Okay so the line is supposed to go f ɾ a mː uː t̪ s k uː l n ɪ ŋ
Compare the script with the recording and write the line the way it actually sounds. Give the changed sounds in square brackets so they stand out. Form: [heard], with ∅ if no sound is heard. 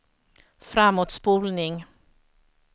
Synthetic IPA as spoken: f ɾ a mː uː t̪ s [p] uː l n ɪ ŋ